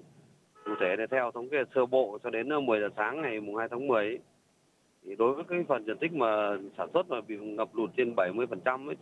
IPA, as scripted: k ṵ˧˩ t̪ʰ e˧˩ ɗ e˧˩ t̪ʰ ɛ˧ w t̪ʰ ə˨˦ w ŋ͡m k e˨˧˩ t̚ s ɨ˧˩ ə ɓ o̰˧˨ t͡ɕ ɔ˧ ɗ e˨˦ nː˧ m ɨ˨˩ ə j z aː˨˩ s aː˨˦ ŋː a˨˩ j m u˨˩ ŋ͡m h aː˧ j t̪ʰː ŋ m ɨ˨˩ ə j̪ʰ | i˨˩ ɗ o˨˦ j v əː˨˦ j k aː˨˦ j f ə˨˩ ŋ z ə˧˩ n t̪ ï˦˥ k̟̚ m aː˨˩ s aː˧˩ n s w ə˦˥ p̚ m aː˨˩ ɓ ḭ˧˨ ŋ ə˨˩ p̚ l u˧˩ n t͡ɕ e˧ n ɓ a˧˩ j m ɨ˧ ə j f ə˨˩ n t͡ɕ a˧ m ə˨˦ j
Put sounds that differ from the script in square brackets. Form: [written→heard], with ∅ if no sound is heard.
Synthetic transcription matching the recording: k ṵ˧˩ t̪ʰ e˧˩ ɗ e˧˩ t̪ʰ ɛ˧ w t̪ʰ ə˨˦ w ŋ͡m k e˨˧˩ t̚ s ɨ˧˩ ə ɓ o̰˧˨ t͡ɕ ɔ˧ ɗ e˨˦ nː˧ m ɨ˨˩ ə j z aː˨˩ s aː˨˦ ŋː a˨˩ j m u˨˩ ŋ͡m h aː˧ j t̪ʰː ŋ m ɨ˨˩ ə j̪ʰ | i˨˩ ɗ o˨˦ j v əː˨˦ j k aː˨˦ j f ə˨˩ [ŋ→n] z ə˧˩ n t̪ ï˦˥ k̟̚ m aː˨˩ s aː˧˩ n s w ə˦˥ [p̚→t̚] m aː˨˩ ɓ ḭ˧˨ ŋ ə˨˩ p̚ l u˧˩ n t͡ɕ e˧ n ɓ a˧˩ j m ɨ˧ ə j f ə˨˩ n t͡ɕ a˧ m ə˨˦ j